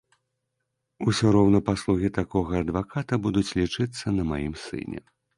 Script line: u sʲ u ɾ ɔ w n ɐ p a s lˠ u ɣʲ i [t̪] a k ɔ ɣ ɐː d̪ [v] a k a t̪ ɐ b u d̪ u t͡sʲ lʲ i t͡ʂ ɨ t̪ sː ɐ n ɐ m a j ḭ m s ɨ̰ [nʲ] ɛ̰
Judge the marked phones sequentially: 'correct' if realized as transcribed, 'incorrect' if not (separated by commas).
correct, correct, correct